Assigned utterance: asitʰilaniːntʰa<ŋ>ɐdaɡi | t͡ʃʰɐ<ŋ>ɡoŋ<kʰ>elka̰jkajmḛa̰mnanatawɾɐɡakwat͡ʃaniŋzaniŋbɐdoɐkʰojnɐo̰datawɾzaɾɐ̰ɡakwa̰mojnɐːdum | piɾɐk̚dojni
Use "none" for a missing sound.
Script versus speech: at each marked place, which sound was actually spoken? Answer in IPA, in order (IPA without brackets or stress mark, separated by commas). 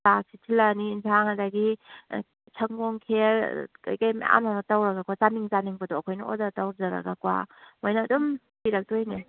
ŋ, ŋ, kʰ